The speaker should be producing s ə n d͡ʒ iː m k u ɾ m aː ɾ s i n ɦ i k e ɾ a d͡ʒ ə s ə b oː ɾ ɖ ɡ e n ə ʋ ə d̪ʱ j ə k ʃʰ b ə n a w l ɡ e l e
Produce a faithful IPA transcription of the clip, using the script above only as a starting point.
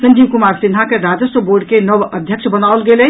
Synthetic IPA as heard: s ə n d͡ʒ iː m k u m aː ɾ s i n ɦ a k e ɾ a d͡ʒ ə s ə b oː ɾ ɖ k e n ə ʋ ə d̪ʱ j ə k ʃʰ b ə n a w l ɡ e l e

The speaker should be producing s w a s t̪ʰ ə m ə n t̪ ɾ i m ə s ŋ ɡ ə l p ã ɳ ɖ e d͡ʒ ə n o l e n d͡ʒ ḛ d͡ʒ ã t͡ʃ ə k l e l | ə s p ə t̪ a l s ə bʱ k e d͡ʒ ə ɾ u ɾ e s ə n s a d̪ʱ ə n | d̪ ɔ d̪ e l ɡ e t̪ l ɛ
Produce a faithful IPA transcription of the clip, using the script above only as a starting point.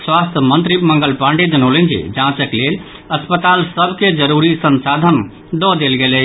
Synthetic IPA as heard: s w a s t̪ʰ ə m ə n t̪ ɾ i m ə ŋ ɡ ə l p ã ɳ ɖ e d͡ʒ ə n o l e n d͡ʒ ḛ d͡ʒ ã t͡ʃ ə k l e l | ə s p ə t̪ a l s ə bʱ k e d͡ʒ ə ɾ u ɾ i s ə n s a d̪ʱ ə n | d̪ ɔ d̪ e l ɡ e l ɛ

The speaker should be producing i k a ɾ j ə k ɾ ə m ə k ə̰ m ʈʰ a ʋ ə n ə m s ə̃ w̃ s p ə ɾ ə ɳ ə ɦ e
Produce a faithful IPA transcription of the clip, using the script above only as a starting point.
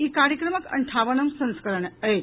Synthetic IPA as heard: i k a ɾ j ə k ɾ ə m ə k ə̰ ɳ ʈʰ a ʋ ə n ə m s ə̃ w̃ s k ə ɾ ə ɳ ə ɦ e

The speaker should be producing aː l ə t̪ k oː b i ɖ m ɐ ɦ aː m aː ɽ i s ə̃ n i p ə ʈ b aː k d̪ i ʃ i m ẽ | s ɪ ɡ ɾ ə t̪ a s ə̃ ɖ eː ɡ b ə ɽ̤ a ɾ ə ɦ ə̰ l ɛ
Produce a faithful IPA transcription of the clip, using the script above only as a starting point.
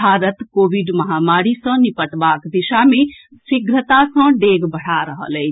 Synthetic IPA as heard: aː ɾ ə t̪ k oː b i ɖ m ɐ ɦ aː m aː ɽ i s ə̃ n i p ə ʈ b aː k d̪ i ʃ a m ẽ | s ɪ ɡ ɾ ə t̪ a s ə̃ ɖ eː ɡ b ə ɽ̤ a ɾ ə ɦ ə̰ l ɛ

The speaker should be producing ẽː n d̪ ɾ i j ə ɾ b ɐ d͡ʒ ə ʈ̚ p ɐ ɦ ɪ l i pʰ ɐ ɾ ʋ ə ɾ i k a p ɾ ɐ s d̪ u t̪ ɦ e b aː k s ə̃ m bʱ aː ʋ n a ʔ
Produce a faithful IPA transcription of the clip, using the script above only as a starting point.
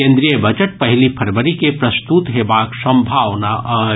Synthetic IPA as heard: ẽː n d̪ ɾ i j ə b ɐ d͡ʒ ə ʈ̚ p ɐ ɦ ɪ l i pʰ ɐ ɾ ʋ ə ɾ i k e p ɾ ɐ s t̪ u t̪ ɦ e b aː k s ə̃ m bʱ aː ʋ n a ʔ

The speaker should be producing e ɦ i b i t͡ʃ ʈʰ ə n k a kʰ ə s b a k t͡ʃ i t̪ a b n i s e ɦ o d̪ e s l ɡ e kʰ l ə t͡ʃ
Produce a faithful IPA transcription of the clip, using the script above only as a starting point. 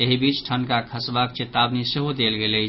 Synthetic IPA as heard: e ɦ i b i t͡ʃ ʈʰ ə n k a kʰ ə s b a k t͡ʃ e t̪ a b n i s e ɦ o d̪ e l ɡ e l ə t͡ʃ

